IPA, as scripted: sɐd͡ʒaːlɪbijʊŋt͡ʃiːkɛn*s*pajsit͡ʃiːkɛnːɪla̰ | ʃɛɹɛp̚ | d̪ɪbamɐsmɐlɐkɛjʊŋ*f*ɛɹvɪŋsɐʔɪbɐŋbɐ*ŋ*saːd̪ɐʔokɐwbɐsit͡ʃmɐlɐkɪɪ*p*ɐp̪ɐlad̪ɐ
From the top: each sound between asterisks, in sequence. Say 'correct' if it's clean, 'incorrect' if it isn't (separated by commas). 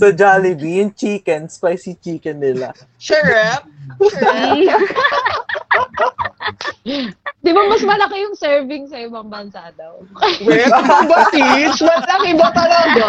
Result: correct, incorrect, incorrect, incorrect